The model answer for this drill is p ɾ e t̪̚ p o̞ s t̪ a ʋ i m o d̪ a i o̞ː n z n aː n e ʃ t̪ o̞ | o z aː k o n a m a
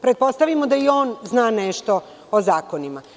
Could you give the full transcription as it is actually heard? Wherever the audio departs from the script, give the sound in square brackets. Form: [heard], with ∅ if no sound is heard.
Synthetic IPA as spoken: p ɾ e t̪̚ p o̞ s t̪ a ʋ i m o d̪ a i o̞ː n z n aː n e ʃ t̪ o̞ | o z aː k o n [i] m a

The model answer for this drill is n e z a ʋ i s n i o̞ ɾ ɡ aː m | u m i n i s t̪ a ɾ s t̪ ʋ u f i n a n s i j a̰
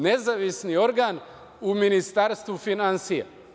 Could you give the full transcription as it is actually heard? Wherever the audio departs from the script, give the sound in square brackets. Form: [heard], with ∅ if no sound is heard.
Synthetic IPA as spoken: n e z a ʋ i s n i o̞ ɾ ɡ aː [n] | u m i n i s t̪ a ɾ s t̪ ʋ u f i n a n s i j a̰

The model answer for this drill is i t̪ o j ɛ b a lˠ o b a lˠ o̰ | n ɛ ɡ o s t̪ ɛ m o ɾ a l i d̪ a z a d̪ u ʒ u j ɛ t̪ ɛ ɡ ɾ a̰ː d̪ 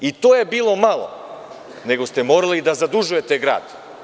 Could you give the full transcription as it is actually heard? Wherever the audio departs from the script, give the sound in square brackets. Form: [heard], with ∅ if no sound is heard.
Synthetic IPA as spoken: i t̪ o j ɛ b [i] lˠ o [m] a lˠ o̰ | n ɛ ɡ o s t̪ ɛ m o ɾ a l i d̪ a z a d̪ u ʒ u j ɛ t̪ ɛ ɡ ɾ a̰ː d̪

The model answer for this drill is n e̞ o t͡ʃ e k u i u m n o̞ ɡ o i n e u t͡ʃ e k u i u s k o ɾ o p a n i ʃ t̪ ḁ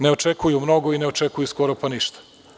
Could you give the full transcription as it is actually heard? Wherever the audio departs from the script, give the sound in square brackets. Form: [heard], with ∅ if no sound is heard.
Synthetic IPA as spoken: n e̞ o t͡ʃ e k u [j] u m n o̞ ɡ o i n e [o] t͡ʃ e k u [j] u s k o ɾ o p a n i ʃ t̪ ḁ

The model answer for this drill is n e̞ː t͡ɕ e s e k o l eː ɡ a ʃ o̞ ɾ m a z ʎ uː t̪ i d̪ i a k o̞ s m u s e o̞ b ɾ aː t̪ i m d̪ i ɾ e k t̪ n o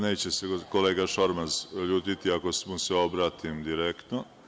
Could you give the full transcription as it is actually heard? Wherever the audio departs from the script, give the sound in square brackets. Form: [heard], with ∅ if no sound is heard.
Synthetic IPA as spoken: n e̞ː t͡ɕ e s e k o l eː ɡ a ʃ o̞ ɾ m a z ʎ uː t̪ i [t̪] i a k o̞ s m u s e o̞ b ɾ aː t̪ i m d̪ i ɾ e k t̪ n o

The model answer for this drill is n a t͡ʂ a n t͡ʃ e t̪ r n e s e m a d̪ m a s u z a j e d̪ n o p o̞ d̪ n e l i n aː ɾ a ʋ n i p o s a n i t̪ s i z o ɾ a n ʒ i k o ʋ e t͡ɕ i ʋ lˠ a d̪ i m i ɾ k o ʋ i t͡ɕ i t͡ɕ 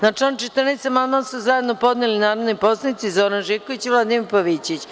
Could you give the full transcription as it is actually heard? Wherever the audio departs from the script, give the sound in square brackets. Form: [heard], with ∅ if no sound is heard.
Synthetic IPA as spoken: n a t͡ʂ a n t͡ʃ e t̪ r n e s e m a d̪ m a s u z a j e d̪ n o p o̞ d̪ n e l i n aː ɾ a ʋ n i p o s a n i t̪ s i z o ɾ a n ʒ i k o ʋ [i] t͡ɕ i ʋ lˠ a d̪ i m i ɾ [p] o ʋ i t͡ɕ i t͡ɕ

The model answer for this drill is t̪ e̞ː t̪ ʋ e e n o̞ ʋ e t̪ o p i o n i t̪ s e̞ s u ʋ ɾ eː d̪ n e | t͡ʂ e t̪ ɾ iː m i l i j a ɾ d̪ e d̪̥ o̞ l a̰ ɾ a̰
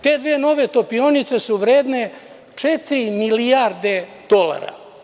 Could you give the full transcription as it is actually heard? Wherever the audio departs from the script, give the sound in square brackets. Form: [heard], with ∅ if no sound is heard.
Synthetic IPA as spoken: t̪ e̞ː [d̪] ʋ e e n o̞ ʋ e t̪ o p i o n i t̪ s e̞ s u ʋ ɾ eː d̪ n e | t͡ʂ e t̪ ɾ [i] m i l i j a ɾ d̪ e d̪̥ o̞ l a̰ ɾ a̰

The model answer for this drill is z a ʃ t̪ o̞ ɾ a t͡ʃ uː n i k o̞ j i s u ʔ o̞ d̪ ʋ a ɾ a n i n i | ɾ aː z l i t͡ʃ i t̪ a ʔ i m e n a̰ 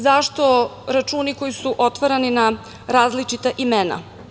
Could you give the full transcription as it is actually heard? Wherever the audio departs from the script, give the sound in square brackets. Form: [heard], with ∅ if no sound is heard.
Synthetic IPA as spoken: z a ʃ t̪ o̞ ɾ a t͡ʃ uː n i k o̞ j i s u ʔ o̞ [t̪] ʋ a ɾ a n i n [a] | ɾ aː z l i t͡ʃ i t̪ a ʔ i m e n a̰

